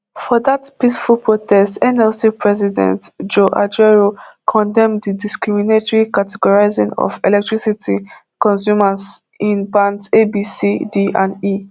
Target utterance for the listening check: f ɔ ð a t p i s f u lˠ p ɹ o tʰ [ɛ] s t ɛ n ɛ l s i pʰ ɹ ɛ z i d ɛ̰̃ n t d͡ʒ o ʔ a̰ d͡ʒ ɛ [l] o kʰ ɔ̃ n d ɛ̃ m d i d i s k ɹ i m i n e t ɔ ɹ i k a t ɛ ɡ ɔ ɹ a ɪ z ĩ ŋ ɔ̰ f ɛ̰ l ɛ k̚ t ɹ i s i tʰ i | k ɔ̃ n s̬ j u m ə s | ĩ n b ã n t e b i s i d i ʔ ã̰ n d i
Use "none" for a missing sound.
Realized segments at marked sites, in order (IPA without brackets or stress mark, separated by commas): ɛ, ɹ